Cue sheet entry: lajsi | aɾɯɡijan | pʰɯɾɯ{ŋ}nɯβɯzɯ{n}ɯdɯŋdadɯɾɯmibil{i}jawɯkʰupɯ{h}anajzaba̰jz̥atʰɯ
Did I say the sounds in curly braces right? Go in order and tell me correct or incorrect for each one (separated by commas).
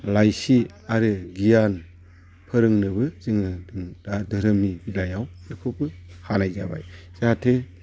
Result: correct, incorrect, incorrect, correct